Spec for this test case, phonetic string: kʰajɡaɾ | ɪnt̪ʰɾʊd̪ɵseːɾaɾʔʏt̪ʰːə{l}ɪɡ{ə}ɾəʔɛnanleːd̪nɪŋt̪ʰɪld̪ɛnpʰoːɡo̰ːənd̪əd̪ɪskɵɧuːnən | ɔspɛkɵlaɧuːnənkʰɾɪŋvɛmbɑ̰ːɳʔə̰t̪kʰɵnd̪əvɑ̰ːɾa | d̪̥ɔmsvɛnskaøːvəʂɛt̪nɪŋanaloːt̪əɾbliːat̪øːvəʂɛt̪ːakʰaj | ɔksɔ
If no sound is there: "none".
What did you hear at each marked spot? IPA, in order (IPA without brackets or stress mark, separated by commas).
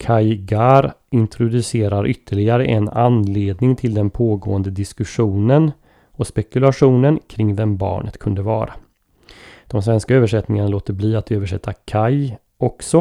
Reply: ɭ, a